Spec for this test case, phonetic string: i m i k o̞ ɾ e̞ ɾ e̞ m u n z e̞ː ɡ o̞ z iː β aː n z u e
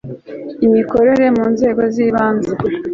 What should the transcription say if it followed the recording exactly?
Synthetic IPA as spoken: i m i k o̞ ɾ e̞ ɾ e̞ m uː n z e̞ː ɡ o̞ z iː β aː n z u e